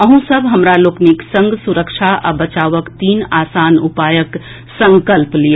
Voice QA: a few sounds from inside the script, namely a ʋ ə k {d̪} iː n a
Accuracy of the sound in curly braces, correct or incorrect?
incorrect